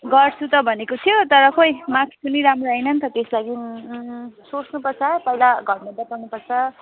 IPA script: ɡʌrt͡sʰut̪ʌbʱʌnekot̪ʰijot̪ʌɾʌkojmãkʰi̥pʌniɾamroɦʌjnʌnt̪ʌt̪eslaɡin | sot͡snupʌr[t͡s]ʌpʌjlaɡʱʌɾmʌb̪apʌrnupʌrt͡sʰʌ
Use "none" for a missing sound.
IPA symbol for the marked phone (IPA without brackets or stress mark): t͡sʰ